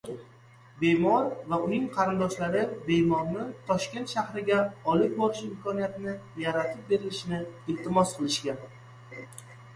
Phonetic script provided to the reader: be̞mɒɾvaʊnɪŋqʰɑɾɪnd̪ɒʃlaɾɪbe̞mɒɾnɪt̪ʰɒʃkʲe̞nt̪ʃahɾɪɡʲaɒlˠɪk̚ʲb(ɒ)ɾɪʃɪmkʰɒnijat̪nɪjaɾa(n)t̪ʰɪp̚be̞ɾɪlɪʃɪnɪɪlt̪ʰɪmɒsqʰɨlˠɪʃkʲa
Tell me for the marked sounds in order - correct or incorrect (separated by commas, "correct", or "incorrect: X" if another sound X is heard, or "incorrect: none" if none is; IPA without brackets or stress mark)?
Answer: correct, incorrect: none